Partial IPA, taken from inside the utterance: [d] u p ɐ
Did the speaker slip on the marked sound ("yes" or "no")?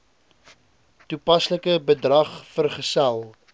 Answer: yes